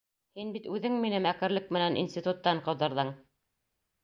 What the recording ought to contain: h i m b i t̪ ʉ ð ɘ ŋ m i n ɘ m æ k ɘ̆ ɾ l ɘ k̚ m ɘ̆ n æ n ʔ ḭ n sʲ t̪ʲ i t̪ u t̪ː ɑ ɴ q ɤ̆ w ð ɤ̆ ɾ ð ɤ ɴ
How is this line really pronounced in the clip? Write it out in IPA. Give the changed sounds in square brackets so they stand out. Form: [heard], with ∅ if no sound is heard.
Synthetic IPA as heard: h i [n] b i t̪ ʉ ð ɘ ŋ m i n ɘ m æ k ɘ̆ ɾ l ɘ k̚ m ɘ̆ n æ n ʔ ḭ n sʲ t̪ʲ i t̪ u t̪ː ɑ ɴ q ɤ̆ w ð ɤ̆ ɾ ð ɤ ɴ